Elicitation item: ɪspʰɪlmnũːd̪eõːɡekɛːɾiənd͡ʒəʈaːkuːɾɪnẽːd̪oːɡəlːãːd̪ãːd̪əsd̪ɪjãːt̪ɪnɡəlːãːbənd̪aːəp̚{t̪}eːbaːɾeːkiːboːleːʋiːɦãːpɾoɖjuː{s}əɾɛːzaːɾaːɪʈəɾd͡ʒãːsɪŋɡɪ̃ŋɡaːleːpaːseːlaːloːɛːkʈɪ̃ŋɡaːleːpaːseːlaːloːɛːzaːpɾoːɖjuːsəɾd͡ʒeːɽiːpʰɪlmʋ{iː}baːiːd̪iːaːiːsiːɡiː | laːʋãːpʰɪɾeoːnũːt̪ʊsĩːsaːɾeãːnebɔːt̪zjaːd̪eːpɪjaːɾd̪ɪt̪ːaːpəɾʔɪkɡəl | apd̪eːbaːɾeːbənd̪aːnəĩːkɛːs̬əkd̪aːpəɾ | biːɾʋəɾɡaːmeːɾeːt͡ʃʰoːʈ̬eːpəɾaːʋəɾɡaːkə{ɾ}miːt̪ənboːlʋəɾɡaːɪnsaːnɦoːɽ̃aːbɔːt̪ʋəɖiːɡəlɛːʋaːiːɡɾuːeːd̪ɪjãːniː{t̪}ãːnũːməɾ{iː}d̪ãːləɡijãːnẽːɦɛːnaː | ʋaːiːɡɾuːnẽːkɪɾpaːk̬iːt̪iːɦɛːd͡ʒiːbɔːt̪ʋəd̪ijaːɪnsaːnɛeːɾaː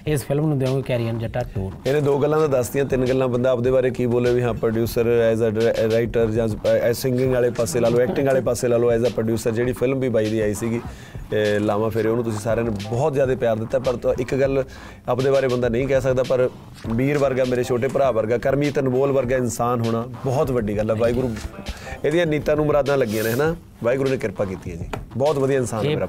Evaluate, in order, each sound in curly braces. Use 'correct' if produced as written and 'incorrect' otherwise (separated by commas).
incorrect, correct, correct, correct, correct, incorrect